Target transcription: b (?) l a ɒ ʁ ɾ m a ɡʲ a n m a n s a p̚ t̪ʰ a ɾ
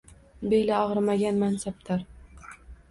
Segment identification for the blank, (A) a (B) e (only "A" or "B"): B